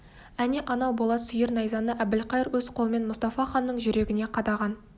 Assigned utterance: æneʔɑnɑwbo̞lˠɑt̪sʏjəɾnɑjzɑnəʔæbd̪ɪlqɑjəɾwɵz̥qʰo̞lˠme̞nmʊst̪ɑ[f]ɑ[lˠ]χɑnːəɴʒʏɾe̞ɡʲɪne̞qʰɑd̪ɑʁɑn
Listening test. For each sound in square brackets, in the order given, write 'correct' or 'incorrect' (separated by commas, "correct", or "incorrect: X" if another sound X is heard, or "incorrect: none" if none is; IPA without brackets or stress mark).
correct, incorrect: none